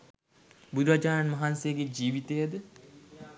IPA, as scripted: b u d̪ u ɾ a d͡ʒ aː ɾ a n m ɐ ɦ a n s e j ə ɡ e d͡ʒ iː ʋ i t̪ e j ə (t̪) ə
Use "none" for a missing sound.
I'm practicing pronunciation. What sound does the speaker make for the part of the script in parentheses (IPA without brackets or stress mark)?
d̪